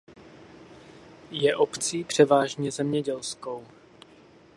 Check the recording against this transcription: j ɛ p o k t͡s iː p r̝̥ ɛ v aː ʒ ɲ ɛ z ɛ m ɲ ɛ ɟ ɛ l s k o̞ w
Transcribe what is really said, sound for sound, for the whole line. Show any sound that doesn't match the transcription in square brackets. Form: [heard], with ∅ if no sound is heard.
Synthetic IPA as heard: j ɛ [ʔ] o [p] t͡s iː p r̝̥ ɛ v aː ʒ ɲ ɛ z ɛ m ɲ ɛ ɟ ɛ l s k o̞ w